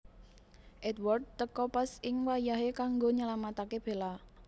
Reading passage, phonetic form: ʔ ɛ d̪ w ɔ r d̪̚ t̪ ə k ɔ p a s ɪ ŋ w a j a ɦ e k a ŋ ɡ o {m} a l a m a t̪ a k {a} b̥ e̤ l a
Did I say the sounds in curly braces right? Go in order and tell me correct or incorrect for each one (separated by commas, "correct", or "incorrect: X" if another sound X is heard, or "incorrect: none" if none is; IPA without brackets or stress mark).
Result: incorrect: ɲ, incorrect: e